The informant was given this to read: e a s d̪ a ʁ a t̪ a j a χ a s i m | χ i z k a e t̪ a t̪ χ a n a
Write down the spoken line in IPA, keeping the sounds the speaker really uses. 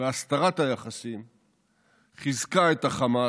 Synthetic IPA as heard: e a s t̪ a ʁ a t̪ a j a χ a s i m | χ i z k a e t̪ a χ a m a